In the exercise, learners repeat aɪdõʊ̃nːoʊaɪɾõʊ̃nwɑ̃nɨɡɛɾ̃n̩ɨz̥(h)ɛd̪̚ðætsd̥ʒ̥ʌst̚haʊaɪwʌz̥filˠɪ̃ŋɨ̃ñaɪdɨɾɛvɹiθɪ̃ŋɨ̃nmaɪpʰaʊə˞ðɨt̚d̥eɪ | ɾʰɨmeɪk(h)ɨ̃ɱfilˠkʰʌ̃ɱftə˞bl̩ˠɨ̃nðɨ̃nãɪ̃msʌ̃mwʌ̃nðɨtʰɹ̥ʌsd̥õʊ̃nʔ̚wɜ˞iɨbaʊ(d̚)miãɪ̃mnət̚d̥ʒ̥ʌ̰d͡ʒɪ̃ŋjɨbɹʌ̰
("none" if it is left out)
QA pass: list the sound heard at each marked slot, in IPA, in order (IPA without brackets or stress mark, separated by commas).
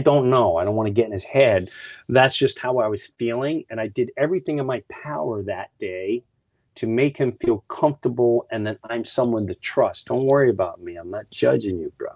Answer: h, h, t̚